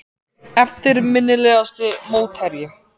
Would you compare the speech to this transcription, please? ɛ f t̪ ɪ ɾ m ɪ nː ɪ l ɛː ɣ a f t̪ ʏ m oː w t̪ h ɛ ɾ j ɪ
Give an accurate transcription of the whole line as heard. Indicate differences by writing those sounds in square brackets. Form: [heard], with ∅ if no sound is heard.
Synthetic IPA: ɛ f t̪ ɪ ɾ m ɪ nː ɪ l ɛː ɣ a [s] t̪ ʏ m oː w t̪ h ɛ ɾ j ɪ